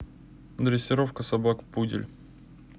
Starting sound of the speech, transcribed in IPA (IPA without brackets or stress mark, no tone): d̪